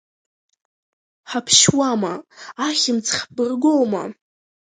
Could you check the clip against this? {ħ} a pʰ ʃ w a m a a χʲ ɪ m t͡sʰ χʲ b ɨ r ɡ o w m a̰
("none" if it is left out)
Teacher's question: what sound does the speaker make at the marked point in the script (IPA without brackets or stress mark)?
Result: ħ